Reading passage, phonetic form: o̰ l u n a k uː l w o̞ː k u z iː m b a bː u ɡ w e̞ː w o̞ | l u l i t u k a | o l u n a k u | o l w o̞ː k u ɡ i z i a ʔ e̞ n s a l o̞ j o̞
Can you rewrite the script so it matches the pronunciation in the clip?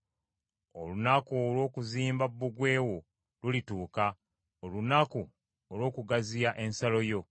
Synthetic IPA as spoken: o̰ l u n a k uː l w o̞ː k u z iː m b a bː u ɡ w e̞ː w o̞ | l u l i t uː k a | o l u n a k u | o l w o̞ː k u ɡ a z i a ʔ e̞ n s a l o̞ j o̞